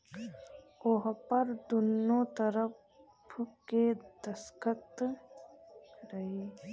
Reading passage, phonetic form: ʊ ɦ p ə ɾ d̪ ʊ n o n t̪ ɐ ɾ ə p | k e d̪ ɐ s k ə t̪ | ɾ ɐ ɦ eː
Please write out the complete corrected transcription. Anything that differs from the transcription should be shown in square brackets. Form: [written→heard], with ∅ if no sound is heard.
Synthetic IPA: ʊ ɦ p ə ɾ d̪ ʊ n o [n→∅] t̪ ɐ ɾ ə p | k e d̪ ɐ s k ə t̪ | ɾ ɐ ɦ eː